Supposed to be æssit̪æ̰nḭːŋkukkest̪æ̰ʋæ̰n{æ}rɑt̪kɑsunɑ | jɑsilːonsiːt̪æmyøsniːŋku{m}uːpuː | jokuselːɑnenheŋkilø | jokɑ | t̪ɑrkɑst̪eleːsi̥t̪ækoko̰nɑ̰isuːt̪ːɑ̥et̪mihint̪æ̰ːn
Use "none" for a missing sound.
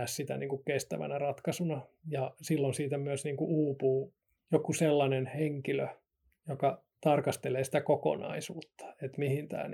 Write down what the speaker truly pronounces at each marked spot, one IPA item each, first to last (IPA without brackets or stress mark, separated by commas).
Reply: æ, none